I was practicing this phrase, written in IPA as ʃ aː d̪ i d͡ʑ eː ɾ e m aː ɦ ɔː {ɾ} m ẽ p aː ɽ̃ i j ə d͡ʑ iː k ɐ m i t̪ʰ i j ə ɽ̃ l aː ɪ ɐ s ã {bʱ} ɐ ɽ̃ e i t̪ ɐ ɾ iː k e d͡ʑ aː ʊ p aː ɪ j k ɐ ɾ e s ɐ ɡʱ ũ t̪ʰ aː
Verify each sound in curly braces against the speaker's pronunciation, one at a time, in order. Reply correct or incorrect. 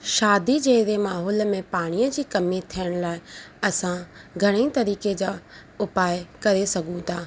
incorrect, incorrect

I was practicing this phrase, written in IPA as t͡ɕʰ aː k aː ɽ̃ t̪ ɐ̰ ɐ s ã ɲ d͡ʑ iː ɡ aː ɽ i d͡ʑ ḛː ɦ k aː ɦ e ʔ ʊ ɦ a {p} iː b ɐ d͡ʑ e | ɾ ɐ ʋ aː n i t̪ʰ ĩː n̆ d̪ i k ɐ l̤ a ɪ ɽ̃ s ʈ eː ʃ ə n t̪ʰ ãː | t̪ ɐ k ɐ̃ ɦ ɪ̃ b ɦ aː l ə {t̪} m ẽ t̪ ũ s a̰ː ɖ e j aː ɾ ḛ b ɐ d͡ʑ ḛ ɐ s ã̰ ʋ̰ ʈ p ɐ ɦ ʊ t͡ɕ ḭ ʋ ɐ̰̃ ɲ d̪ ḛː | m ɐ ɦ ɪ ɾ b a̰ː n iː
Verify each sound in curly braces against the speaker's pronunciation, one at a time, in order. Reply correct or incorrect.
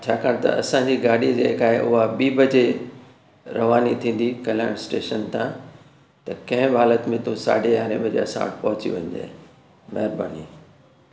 incorrect, correct

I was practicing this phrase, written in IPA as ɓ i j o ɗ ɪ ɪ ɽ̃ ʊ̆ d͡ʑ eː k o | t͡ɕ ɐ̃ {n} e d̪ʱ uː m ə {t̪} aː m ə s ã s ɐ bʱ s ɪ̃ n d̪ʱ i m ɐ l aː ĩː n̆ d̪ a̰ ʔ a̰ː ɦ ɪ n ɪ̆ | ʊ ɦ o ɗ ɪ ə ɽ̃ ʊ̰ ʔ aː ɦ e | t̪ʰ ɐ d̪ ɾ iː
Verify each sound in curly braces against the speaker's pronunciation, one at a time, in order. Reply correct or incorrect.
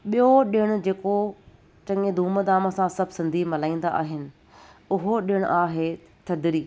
incorrect, incorrect

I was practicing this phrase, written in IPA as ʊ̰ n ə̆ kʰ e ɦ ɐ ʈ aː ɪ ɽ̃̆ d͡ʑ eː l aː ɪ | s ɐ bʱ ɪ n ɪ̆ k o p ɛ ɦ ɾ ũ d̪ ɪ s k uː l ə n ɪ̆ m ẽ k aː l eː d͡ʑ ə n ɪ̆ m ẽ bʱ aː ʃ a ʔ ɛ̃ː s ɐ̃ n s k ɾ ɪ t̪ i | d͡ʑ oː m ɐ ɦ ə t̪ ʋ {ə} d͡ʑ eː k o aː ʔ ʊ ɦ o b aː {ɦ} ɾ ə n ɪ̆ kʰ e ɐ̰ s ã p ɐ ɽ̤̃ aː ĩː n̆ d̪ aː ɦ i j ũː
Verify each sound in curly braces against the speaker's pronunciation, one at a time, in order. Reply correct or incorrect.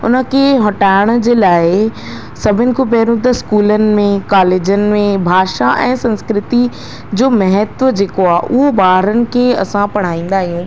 correct, correct

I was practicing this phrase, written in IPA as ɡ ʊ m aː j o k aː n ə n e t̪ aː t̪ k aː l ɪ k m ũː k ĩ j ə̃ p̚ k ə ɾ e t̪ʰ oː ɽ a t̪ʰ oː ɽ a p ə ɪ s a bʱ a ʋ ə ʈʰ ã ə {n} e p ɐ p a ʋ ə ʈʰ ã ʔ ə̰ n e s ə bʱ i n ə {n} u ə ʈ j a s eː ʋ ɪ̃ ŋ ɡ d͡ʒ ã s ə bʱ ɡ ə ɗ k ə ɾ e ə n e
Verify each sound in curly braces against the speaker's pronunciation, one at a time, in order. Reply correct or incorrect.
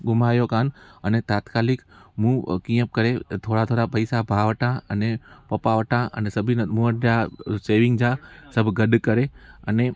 correct, incorrect

